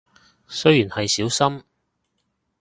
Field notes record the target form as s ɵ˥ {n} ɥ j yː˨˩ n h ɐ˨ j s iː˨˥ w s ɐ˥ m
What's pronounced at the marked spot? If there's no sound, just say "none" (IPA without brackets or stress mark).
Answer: none